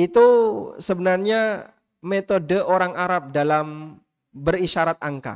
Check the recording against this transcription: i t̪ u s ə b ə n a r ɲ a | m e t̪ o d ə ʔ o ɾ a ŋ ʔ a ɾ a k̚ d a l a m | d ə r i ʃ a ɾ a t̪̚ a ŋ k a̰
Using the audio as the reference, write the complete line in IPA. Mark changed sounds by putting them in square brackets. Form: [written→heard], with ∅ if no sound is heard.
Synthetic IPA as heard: i t̪ u s ə b ə n a r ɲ a | m e t̪ o d ə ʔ o ɾ a ŋ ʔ a ɾ a [k̚→p̚] d a l a m | [d→b] ə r i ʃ a ɾ a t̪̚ a ŋ k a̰